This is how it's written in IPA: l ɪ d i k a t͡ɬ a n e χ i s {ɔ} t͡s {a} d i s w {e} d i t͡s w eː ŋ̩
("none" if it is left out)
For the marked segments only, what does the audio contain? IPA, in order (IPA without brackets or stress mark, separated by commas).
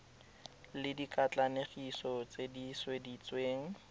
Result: ɔ, e, e